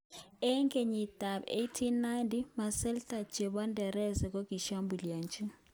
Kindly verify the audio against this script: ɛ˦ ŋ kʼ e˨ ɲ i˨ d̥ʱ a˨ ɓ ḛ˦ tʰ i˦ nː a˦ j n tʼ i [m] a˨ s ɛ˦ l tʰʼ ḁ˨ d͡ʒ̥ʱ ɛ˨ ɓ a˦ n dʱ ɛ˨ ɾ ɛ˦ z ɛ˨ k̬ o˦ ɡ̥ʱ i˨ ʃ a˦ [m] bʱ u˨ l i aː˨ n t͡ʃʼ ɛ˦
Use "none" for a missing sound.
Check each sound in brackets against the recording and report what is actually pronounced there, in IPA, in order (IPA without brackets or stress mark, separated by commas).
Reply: m, m